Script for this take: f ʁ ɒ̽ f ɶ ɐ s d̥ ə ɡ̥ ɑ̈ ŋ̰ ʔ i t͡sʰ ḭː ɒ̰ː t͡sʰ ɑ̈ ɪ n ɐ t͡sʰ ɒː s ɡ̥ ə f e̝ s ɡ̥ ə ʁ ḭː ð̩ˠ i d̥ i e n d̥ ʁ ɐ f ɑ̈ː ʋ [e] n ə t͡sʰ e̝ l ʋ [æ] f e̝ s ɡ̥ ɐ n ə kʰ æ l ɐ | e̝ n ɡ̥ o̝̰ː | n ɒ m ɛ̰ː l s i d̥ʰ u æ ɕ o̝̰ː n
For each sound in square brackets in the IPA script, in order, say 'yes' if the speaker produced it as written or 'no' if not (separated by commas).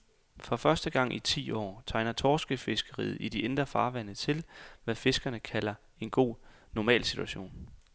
no, yes